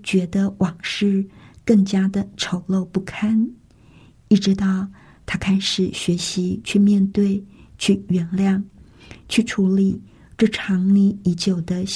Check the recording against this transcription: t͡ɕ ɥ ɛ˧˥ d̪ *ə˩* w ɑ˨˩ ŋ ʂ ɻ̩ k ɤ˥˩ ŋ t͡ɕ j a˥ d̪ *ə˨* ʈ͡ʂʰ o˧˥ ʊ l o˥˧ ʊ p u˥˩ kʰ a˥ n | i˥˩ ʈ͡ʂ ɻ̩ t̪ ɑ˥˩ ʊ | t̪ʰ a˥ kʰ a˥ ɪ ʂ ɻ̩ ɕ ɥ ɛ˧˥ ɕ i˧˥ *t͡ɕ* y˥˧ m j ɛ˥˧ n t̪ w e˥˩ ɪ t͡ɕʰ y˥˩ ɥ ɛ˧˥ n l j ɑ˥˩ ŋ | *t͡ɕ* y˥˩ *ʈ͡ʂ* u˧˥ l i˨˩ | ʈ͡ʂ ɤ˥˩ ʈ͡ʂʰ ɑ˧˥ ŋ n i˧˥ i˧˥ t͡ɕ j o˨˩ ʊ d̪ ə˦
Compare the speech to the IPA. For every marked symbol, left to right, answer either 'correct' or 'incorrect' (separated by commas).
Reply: incorrect, correct, incorrect, incorrect, incorrect